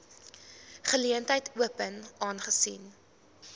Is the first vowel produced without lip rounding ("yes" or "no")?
yes